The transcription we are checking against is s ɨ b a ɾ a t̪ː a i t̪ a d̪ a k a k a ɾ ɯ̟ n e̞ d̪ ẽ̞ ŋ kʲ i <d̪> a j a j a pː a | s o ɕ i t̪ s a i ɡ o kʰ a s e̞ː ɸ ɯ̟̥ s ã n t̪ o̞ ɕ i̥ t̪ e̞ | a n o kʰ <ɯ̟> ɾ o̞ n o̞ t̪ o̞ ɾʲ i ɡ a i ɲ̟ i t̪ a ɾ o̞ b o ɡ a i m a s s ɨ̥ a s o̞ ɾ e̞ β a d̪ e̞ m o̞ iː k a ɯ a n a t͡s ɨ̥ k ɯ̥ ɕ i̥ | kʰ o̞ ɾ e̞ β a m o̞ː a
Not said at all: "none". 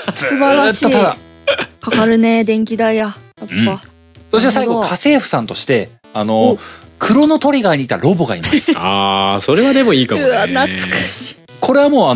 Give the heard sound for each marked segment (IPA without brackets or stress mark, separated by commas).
d̪, ɯ̟